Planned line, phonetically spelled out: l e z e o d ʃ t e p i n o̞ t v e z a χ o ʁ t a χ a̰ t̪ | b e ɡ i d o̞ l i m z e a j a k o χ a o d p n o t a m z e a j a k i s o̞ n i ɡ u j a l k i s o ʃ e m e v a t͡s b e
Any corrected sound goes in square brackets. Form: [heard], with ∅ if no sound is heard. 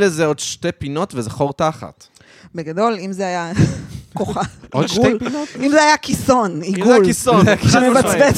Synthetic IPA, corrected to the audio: l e z e o d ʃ t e p i n o̞ t v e z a χ o ʁ t a χ a̰ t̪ | b e ɡ [a] d o̞ l i m z e a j a k o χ a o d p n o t [i] m z e a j a k i s o̞ n i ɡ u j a l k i s o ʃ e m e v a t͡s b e